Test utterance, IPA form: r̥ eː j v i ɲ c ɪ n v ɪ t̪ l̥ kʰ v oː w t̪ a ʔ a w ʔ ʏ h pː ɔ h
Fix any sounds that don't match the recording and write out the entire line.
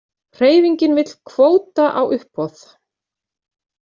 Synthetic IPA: r̥ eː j v i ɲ c ɪ n v ɪ t̪ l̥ kʰ v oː w t̪ a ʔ a w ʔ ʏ h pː ɔ θ